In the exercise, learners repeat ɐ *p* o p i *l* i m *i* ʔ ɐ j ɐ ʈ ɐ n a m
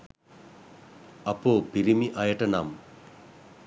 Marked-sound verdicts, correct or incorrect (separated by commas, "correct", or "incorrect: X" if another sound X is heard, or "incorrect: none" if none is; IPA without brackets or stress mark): correct, incorrect: ɾ, correct